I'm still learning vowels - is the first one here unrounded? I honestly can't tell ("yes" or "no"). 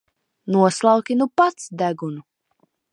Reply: no